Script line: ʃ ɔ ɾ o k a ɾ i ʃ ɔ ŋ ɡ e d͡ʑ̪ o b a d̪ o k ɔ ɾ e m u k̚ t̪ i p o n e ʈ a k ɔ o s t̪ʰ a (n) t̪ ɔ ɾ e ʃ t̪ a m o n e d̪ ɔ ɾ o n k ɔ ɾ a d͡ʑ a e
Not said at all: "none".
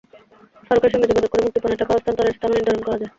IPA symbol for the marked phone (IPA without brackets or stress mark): n